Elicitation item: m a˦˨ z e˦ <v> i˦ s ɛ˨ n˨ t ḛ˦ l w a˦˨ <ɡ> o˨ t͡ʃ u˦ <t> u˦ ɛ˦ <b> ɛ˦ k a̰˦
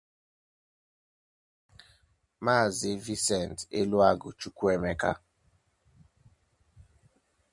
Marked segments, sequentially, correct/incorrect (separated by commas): correct, correct, incorrect, incorrect